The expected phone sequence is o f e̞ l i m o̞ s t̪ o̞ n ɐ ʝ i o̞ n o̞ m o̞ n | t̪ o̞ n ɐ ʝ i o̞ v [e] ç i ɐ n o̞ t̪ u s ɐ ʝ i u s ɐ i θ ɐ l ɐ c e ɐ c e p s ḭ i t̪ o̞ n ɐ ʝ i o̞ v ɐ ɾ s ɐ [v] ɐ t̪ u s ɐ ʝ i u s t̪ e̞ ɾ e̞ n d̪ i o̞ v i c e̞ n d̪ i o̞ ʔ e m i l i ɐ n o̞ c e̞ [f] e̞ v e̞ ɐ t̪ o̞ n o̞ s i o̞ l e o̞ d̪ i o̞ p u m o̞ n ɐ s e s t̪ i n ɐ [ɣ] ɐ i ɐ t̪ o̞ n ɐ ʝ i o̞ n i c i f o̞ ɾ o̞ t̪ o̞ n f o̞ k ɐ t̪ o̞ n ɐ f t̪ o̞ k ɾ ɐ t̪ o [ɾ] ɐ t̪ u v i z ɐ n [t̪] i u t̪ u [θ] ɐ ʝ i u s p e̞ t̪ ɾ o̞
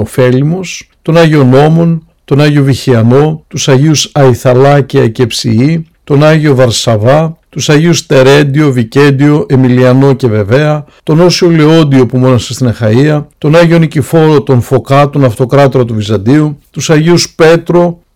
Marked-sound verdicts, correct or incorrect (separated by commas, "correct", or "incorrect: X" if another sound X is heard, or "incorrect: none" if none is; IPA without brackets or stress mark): incorrect: i, correct, incorrect: v, incorrect: x, correct, incorrect: d̪, incorrect: s